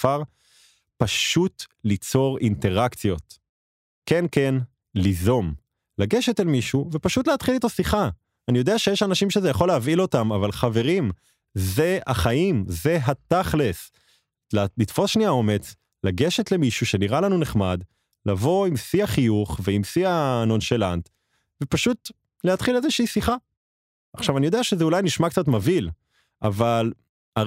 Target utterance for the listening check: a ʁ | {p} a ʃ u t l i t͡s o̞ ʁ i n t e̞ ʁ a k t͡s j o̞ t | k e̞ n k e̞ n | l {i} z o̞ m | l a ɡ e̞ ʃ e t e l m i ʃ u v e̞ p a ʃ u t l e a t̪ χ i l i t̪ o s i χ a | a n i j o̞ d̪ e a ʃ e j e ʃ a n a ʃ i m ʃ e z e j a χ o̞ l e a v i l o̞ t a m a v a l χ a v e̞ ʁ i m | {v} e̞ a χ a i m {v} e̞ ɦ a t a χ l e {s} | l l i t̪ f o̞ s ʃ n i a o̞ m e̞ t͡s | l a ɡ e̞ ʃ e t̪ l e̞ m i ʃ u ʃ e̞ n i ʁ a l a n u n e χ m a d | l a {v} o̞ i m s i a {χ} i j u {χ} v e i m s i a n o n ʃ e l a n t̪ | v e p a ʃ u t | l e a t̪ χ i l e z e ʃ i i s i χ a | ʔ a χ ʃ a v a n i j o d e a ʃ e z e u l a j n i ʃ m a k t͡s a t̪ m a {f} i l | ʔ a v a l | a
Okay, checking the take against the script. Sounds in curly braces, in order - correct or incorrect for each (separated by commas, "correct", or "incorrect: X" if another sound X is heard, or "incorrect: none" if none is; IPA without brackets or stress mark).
correct, correct, incorrect: z, incorrect: z, correct, correct, correct, correct, incorrect: v